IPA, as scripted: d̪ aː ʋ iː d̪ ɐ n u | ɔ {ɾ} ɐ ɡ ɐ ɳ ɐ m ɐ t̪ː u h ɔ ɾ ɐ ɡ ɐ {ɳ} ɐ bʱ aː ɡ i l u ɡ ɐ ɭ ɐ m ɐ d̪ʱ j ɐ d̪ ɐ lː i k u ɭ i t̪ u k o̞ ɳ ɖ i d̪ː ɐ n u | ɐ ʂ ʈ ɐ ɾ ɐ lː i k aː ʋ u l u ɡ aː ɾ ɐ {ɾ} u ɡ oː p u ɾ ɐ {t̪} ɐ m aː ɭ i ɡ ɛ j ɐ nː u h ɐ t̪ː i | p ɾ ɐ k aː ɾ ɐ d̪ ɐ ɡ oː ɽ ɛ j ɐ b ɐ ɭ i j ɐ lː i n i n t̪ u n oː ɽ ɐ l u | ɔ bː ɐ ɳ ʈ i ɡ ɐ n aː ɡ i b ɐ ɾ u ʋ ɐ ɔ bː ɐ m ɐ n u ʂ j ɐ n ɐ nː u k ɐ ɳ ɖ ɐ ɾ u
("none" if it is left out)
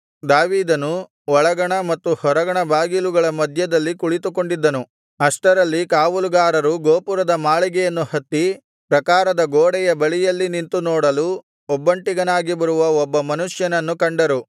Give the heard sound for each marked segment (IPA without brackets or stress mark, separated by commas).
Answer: ɭ, ɳ, ɾ, d̪